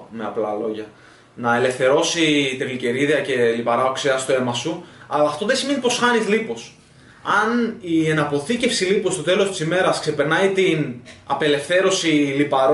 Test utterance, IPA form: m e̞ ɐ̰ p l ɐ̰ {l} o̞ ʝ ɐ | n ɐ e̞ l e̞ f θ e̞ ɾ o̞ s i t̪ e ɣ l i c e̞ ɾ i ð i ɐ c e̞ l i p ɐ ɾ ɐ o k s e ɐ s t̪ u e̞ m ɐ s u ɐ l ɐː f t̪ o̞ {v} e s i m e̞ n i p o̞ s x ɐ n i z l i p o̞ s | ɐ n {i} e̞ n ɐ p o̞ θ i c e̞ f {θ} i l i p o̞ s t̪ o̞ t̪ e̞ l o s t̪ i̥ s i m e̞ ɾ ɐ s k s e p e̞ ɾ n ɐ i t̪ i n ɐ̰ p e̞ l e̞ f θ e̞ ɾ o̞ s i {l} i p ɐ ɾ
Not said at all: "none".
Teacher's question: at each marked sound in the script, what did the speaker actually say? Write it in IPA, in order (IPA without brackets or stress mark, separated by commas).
l, ð, i, s, l